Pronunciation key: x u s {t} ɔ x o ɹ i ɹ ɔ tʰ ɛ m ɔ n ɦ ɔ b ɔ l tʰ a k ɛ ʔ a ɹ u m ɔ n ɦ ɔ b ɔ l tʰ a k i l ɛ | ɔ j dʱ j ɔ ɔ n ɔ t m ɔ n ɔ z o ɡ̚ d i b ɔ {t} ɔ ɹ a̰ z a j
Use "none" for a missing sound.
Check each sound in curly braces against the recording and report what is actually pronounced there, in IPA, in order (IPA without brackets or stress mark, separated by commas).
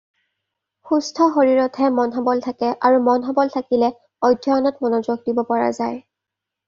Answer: tʰ, p